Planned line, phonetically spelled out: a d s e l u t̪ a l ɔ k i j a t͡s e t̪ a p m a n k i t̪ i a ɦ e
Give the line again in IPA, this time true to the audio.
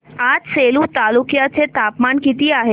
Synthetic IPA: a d s e l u t̪ a l u k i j a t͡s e t̪ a p m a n k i t̪ i a ɦ e